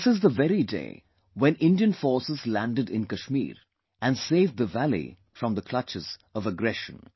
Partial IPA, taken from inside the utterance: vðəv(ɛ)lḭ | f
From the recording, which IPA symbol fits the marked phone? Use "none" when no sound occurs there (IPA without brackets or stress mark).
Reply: æ